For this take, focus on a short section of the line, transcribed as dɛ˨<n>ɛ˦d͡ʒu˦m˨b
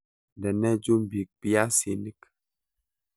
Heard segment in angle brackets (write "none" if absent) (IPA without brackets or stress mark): n